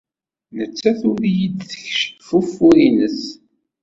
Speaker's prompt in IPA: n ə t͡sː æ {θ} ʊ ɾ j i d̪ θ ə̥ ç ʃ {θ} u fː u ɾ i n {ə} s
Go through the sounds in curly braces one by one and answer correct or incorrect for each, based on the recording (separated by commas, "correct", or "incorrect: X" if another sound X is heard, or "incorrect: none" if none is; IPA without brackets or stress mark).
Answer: correct, incorrect: f, correct